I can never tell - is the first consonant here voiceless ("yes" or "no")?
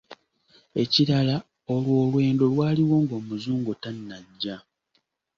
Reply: yes